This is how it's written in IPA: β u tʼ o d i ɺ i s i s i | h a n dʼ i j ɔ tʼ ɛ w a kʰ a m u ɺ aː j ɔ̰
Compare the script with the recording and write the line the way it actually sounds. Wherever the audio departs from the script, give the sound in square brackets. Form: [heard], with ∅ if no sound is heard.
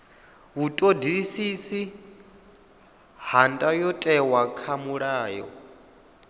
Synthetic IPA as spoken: β u tʼ o d i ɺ i s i s i | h a n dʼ [a] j ɔ tʼ ɛ w a kʰ a m u ɺ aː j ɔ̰